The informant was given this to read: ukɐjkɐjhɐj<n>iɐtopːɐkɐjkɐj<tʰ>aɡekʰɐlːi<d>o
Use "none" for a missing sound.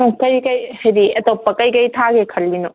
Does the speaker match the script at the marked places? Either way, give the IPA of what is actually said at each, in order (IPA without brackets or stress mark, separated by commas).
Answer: d, tʰ, n